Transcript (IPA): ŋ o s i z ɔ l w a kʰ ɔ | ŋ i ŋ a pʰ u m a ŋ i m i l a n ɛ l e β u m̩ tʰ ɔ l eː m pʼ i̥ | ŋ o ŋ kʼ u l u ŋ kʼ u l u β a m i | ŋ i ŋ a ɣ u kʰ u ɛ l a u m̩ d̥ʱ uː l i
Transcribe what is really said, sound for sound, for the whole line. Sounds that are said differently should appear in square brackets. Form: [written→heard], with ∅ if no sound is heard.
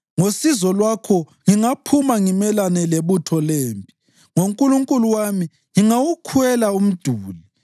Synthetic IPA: ŋ o s i z ɔ l w a kʰ ɔ | ŋ i ŋ a pʰ u m a ŋ i m [i→ɛ] l a n ɛ l e β u [m̩→∅] tʰ ɔ l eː m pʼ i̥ | ŋ o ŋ kʼ u l u ŋ kʼ u l u [β→w] a m i | ŋ i ŋ a [ɣ→w] u kʰ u ɛ l a u m̩ d̥ʱ uː l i